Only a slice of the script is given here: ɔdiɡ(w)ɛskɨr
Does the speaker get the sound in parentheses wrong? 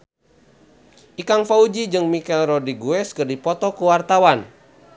yes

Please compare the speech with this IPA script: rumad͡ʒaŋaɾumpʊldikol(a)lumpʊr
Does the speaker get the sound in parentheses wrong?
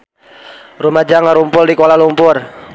no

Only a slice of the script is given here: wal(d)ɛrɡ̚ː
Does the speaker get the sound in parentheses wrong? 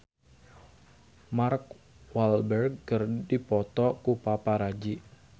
yes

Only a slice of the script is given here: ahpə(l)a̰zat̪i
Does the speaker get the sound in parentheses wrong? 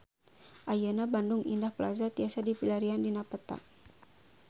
no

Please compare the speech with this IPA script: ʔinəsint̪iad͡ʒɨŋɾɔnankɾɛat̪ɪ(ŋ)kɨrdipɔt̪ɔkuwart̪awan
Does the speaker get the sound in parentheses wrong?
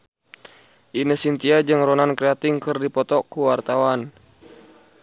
no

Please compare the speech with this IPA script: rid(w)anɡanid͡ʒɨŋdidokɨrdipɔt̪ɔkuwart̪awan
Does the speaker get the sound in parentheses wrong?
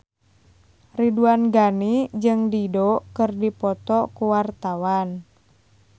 yes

